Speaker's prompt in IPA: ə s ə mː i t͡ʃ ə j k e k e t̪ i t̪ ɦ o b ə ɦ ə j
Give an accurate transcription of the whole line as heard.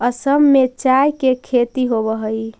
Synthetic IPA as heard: ə s ə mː e t͡ʃ a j k e kʰ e t̪ i ɦ o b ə ɦ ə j